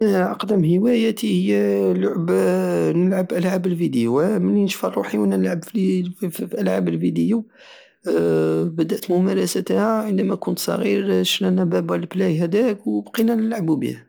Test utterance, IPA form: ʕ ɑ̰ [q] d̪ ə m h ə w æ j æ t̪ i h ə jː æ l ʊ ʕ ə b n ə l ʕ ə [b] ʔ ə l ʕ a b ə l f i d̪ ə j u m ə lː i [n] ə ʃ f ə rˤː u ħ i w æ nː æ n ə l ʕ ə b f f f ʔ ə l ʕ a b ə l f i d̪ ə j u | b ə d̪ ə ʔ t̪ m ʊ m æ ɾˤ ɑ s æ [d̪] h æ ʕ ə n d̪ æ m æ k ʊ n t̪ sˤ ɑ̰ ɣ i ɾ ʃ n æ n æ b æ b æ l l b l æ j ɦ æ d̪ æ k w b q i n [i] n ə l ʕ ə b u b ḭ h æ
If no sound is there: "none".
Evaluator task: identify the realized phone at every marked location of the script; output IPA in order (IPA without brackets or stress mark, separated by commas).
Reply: q, b, n, t̪, æ